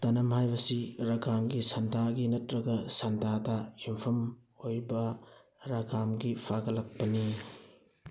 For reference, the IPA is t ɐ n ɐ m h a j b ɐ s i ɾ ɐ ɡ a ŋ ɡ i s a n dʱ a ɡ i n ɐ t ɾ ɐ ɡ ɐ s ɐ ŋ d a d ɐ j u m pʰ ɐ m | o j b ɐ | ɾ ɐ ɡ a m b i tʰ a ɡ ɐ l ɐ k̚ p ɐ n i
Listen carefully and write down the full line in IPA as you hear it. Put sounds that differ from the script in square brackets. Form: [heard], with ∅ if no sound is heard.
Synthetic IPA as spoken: t ɐ n ɐ m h a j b ɐ s i ɾ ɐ ɡ a [m] ɡ i s [ɐ] n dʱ a ɡ i n ɐ t ɾ ɐ ɡ ɐ s ɐ [n] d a d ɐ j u m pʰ ɐ m | o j b ɐ | ɾ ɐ ɡ a m [ɡ] i [pʰ] a ɡ ɐ l ɐ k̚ p ɐ n i

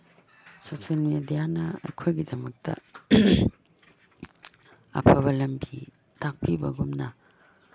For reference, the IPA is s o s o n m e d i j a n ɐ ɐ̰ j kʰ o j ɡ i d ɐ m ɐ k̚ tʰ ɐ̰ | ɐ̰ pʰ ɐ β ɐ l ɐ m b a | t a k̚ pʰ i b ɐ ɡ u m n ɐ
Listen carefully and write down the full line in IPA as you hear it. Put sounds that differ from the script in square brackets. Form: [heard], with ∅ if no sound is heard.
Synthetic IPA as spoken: s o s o n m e d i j a n ɐ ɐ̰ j kʰ o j ɡ i d ɐ m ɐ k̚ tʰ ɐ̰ | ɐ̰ pʰ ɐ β ɐ l ɐ m b [i] | t a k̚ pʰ i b ɐ ɡ u m n ɐ

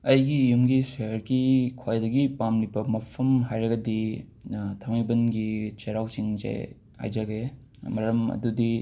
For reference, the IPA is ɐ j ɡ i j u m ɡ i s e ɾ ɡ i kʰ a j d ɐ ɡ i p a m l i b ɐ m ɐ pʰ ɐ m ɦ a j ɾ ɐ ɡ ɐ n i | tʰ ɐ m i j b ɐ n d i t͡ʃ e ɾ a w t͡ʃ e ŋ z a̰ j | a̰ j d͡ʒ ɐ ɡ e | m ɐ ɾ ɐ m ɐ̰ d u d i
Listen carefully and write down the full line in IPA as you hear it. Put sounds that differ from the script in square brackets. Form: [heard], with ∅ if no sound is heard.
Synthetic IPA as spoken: ɐ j ɡ i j u m ɡ i s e ɾ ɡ i kʰ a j d ɐ ɡ i p a m l i b ɐ m ɐ pʰ ɐ m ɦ a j ɾ ɐ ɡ ɐ [d] i | tʰ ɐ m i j b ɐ n [ɡ] i t͡ʃ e ɾ a w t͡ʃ [i] ŋ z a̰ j | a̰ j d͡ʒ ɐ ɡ e | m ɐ ɾ ɐ m ɐ̰ d u d i

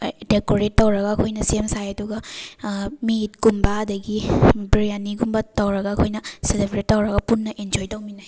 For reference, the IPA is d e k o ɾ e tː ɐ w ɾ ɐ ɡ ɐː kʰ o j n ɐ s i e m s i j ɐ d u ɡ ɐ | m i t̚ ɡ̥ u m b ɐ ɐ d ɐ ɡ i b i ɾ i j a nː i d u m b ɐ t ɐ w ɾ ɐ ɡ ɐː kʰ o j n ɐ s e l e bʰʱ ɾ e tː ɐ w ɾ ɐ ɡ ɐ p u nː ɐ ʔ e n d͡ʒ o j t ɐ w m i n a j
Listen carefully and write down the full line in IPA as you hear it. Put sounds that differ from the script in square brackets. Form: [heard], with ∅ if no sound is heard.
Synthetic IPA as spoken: d e k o ɾ e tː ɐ w ɾ ɐ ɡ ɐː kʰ o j n ɐ s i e m s [a] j ɐ d u ɡ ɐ | m i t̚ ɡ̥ u m b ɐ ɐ d ɐ ɡ i b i ɾ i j a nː i [ɡ] u m b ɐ t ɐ w ɾ ɐ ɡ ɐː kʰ o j n ɐ s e l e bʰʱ ɾ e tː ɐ w ɾ ɐ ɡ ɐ p u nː ɐ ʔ e n d͡ʒ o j t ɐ w m i n a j

